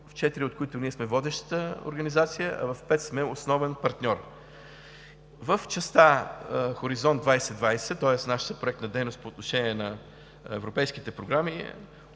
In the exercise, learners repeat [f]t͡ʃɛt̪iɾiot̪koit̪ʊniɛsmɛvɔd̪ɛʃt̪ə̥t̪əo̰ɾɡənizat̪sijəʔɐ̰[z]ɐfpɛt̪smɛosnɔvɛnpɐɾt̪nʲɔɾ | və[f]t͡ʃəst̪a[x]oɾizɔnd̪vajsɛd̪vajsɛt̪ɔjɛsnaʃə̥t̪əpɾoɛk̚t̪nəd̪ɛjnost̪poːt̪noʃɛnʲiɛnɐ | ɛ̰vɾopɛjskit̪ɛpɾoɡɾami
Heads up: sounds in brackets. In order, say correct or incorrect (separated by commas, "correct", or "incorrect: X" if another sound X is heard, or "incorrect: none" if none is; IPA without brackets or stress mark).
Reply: correct, incorrect: v, correct, correct